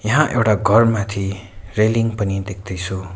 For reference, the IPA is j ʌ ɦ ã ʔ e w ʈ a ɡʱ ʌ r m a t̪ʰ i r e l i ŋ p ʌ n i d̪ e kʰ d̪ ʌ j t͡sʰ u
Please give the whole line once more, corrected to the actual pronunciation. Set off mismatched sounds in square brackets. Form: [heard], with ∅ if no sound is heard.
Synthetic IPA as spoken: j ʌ ɦ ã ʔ e w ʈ a ɡʱ ʌ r m a t̪ʰ i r e l i ŋ p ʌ n i d̪ e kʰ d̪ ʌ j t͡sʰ u